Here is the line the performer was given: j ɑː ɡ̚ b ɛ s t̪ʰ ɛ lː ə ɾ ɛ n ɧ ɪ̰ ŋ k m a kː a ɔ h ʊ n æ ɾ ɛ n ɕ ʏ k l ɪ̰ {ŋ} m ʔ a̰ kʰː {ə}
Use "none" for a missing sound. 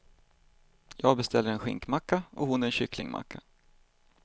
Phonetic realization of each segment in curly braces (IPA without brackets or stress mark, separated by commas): ŋ, a